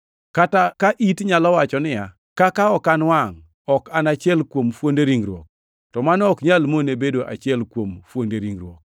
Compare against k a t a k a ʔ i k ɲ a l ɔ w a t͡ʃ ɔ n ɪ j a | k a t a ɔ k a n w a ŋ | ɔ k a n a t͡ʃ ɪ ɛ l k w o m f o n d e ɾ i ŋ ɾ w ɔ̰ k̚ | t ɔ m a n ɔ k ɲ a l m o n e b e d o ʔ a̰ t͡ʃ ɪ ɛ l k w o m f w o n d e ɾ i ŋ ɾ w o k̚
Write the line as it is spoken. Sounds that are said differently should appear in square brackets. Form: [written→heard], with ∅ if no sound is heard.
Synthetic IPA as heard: k a t a k a ʔ i [k→t] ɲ a l ɔ w a t͡ʃ ɔ n ɪ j a | k a [t→k] a ɔ k a n w a ŋ | ɔ k a n a t͡ʃ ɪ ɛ l k w o m f o n d e ɾ i ŋ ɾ w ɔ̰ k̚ | t ɔ m a n ɔ k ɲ a l m o n e b e d o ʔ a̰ t͡ʃ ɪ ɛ l k w o m f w o n d e ɾ i ŋ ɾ w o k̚

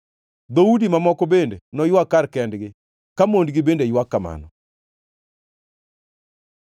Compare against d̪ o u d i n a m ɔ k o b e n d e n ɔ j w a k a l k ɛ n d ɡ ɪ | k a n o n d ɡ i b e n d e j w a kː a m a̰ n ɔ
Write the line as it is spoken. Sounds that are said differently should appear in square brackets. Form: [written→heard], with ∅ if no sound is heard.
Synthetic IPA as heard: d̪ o u d i [n→m] a m ɔ k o b e n d e n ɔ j w a k a [l→ɾ] k ɛ n d ɡ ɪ | k a [n→m] o n d ɡ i b e n d e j w a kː a m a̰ n ɔ

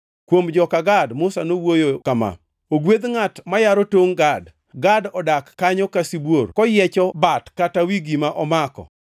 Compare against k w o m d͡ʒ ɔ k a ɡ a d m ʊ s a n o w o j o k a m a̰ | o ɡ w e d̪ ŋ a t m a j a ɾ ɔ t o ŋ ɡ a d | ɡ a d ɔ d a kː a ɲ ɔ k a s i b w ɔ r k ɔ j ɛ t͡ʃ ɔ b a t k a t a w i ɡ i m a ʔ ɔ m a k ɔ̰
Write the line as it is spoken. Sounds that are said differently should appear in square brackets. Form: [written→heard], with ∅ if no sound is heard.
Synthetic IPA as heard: k w o m d͡ʒ ɔ k a ɡ a d m ʊ s a n o w o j o k a m a̰ | o ɡ w e d̪ ŋ a t m a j a ɾ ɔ t o ŋ ɡ a d | ɡ a d ɔ d a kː a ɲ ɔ k a s i b w [ɔ→o] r k ɔ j ɛ t͡ʃ ɔ b a t k a t a w i ɡ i m a ʔ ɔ m a k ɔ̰

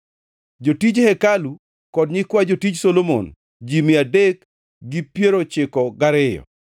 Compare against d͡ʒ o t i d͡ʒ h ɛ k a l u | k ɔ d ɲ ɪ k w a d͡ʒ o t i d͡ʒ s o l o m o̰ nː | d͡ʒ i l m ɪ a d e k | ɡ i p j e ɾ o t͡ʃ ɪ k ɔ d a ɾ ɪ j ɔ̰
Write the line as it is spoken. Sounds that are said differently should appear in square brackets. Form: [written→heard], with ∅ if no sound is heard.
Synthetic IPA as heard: d͡ʒ o t i d͡ʒ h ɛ k a l u | k ɔ d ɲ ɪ k w a d͡ʒ o t i d͡ʒ s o l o m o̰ [nː→n] | d͡ʒ i [l→∅] m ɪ a d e k | ɡ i p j e ɾ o t͡ʃ ɪ k ɔ [d→ɡ] a ɾ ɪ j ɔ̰

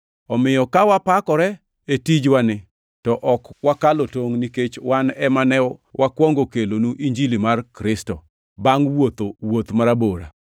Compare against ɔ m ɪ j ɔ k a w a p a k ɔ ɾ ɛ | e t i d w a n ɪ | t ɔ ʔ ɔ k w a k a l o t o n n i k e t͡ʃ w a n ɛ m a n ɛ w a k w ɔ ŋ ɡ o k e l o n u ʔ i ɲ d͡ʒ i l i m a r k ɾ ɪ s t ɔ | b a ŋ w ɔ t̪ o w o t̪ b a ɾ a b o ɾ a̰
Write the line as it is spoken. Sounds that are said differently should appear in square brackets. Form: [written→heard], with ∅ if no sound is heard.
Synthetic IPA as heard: ɔ m ɪ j ɔ k a w a p a k ɔ ɾ ɛ | e t i [d→d͡ʒ] w a n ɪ | t ɔ ʔ ɔ k w a k a l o t o [n→ŋ] n i k e t͡ʃ w a n ɛ m a n ɛ w a k w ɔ ŋ ɡ o k e l o n u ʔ i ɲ d͡ʒ i l i m a r k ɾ ɪ s t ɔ | b a ŋ w [ɔ→o] t̪ o w o t̪ [b→m] a ɾ a b o ɾ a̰

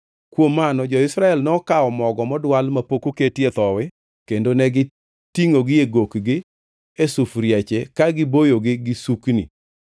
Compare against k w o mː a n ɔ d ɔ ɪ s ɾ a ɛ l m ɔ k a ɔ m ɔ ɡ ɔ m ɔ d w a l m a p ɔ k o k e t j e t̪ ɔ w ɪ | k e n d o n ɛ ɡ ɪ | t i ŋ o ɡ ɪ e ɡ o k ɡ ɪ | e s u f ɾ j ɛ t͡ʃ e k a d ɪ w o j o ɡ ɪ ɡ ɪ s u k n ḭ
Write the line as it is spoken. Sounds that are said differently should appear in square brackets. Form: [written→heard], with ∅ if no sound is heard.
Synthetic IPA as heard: k w o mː a n ɔ [d→d͡ʒ] ɔ ɪ s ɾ a ɛ l [m→n] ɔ k a ɔ m ɔ ɡ ɔ m ɔ d w a l m a p [ɔ→o] k o k e t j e t̪ ɔ w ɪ | k e n d o n ɛ ɡ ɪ | t i ŋ o ɡ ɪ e ɡ o k ɡ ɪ | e s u f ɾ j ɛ t͡ʃ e k a [d→ɡ] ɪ [w→b] o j o ɡ ɪ ɡ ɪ s u k n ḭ

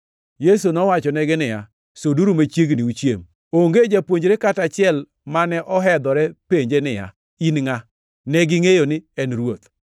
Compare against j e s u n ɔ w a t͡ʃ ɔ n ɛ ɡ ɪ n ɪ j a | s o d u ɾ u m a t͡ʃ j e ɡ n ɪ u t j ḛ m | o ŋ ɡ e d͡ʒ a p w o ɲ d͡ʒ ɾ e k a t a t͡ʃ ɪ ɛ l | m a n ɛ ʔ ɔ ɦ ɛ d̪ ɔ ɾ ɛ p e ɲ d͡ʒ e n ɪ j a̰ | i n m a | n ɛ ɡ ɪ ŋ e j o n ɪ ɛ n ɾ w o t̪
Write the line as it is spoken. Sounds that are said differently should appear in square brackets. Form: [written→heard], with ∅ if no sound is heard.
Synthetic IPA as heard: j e s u n ɔ w a t͡ʃ ɔ n ɛ ɡ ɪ n ɪ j a | s o d u ɾ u m a t͡ʃ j e ɡ n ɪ u [t→t͡ʃ] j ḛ m | o ŋ ɡ e d͡ʒ a p w o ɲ d͡ʒ ɾ e k a t a t͡ʃ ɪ ɛ l | m a n ɛ ʔ ɔ ɦ ɛ d̪ ɔ ɾ ɛ p e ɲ d͡ʒ e n ɪ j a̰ | i n [m→ŋ] a | n ɛ ɡ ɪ ŋ e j o n ɪ ɛ n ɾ w o t̪

